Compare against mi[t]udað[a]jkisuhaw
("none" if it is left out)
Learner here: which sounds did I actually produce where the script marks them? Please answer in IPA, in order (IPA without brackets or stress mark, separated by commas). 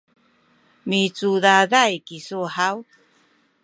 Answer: t͡s, a